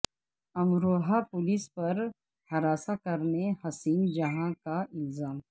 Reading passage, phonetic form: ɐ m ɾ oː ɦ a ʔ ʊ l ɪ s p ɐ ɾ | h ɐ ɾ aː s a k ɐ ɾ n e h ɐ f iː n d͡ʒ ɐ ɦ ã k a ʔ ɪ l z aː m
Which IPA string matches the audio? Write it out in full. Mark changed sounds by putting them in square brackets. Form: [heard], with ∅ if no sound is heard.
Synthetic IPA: ɐ m ɾ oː ɦ a [p] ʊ l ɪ s p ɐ ɾ | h ɐ ɾ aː s a k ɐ ɾ n e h ɐ [s] iː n d͡ʒ ɐ ɦ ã k a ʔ ɪ l z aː m